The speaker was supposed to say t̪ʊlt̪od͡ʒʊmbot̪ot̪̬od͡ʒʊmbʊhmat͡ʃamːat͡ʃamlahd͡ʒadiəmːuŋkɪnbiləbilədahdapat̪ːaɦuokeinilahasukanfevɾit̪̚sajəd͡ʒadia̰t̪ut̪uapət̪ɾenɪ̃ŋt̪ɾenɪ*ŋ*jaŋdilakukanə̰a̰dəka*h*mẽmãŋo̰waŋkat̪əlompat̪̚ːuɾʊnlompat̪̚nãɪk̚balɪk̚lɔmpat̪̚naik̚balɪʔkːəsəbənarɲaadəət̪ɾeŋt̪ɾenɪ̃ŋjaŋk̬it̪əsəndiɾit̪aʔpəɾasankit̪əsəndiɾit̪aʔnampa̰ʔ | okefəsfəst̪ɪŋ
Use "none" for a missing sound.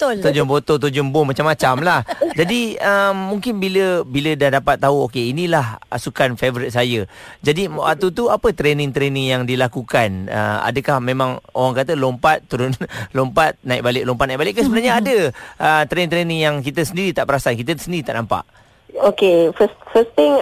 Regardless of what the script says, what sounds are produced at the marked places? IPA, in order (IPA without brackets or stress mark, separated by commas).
ŋ, h